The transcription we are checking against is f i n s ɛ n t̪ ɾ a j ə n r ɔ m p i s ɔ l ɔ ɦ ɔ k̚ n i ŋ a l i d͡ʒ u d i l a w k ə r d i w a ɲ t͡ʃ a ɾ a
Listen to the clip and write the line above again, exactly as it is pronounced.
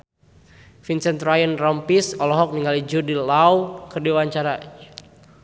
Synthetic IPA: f i n s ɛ n t̪ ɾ a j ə n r ɔ m p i s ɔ l ɔ ɦ ɔ k̚ n i ŋ a l i d͡ʒ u d i l a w k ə r d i w a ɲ t͡ʃ a ɾ a